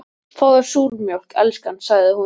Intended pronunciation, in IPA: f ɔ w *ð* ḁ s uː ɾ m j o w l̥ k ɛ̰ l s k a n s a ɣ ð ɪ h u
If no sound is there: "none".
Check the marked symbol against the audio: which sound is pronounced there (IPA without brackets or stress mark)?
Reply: ð